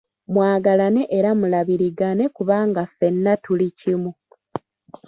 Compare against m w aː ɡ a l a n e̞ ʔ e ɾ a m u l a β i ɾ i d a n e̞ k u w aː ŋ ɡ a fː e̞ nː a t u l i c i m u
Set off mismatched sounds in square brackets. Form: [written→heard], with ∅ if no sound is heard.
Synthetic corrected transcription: m w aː ɡ a l a n e̞ ʔ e ɾ a m u l a β i ɾ i [d→ɡ] a n e̞ k u [w→β] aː ŋ ɡ a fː e̞ nː a t u l i c i m u